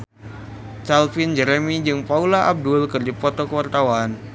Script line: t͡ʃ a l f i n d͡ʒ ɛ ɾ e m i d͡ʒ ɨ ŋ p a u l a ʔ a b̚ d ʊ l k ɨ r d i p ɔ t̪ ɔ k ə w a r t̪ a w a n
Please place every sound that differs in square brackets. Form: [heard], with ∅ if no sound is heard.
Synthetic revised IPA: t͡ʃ a l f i n d͡ʒ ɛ ɾ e m i d͡ʒ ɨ ŋ p a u l a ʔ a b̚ d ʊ l k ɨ r d i p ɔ t̪ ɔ k ə w a r t̪ a w a n